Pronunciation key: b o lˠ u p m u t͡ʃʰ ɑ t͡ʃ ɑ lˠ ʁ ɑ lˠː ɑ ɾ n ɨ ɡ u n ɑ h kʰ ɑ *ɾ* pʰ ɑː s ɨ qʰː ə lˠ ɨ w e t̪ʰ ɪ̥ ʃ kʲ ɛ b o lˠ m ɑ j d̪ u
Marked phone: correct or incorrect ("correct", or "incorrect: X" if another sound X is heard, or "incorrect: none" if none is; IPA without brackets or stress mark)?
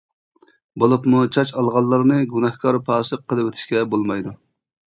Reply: correct